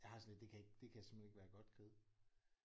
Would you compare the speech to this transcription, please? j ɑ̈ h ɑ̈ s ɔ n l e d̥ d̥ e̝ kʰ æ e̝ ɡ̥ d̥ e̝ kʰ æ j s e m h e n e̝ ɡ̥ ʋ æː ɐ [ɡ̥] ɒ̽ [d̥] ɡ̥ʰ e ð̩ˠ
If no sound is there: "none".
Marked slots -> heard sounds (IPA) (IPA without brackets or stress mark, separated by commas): ɡ̥, d̥